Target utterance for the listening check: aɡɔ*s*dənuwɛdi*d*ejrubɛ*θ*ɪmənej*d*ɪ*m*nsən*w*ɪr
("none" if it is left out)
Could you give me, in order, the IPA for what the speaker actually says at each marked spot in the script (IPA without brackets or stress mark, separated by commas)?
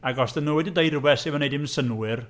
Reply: s, d, s, d, m, w